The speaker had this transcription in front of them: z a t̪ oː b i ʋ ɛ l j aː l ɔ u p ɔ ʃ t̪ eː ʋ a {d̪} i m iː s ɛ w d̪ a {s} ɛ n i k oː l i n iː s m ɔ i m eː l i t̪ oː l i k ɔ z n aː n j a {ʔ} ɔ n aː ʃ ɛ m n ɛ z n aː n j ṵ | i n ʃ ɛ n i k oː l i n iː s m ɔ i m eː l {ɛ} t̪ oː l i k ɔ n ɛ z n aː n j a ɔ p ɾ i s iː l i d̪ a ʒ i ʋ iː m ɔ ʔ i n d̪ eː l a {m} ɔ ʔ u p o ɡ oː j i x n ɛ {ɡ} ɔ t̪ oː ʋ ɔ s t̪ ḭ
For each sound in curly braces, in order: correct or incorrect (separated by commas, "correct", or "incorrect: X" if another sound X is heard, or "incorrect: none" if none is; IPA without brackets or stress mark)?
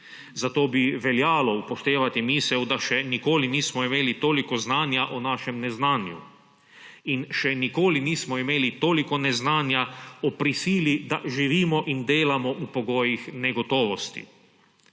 incorrect: t̪, incorrect: ʃ, correct, incorrect: i, correct, correct